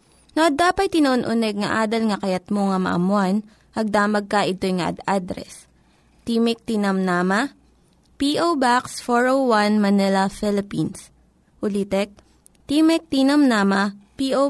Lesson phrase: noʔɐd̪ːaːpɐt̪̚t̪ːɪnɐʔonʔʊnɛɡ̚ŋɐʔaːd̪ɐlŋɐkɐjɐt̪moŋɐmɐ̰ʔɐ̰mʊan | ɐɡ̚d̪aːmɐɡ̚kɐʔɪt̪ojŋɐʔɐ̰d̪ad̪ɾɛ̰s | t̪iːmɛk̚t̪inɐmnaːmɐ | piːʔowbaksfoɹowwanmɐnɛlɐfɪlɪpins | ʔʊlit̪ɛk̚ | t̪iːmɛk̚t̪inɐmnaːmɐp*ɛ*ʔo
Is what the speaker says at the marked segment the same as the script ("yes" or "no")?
no